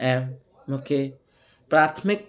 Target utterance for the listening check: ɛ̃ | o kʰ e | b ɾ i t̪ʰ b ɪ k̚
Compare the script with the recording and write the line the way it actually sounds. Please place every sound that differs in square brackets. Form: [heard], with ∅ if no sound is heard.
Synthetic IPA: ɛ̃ | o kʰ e | [p] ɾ [a] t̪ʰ [m] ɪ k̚